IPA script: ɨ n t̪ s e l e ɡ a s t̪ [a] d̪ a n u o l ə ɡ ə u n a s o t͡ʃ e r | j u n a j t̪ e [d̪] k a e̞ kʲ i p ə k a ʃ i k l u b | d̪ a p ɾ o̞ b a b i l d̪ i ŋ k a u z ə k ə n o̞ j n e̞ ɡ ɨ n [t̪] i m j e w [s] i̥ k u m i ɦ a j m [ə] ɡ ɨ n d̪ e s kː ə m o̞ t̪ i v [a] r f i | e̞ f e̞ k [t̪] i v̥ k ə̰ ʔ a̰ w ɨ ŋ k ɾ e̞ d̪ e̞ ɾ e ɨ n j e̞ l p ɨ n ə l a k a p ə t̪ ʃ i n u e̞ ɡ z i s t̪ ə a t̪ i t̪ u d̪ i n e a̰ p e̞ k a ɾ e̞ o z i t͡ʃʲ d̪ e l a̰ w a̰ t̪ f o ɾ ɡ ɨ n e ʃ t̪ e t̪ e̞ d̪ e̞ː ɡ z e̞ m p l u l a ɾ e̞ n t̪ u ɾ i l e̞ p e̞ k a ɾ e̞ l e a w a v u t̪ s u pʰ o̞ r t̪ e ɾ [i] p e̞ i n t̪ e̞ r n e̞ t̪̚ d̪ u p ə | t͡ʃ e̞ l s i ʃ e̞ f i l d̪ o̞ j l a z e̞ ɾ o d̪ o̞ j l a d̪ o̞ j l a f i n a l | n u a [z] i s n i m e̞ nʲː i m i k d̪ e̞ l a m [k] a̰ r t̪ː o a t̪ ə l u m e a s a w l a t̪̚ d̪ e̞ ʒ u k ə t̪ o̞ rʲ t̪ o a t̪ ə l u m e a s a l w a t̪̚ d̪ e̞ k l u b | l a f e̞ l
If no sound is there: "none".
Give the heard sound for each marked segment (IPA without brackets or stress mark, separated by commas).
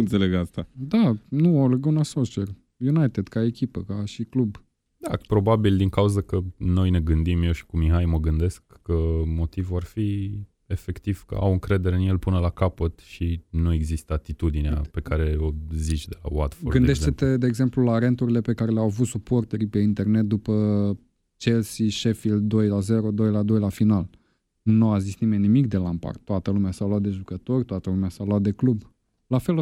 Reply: a, d̪, d̪, ʃ, ə, a, t̪, i, z, p